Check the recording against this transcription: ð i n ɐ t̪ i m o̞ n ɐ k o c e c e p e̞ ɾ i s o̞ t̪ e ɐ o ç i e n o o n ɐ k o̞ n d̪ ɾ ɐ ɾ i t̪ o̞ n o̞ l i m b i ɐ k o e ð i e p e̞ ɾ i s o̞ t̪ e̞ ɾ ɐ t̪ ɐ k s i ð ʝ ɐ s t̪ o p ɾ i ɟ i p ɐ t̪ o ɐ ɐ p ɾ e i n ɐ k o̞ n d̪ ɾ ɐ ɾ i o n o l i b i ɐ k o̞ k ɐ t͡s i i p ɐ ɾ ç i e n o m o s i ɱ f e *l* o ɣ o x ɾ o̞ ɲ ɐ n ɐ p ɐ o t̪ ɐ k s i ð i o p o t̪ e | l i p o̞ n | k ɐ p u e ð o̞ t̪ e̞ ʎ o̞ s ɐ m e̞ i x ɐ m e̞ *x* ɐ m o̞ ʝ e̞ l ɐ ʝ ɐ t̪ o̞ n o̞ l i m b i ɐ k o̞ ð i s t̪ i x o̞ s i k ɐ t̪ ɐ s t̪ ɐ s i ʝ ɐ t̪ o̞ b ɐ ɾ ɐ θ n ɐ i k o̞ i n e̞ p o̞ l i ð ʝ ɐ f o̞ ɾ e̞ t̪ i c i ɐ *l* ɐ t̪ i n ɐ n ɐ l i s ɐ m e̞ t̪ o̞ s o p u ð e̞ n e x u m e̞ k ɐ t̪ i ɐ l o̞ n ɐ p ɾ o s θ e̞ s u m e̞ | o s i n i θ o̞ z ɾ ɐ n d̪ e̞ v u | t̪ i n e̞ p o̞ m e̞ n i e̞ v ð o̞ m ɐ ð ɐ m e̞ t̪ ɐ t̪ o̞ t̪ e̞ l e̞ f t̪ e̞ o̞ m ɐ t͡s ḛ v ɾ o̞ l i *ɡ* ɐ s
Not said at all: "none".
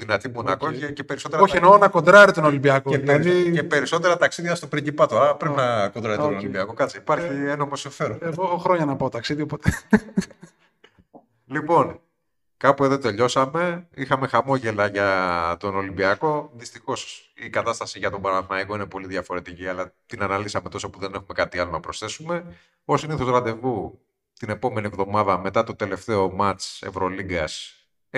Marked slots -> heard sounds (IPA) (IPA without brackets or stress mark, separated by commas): ɾ, x, l, ɡ